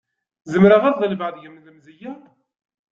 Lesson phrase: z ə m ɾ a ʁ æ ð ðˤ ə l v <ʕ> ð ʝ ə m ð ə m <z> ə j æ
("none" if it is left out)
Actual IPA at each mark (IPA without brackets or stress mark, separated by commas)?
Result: ʕ, z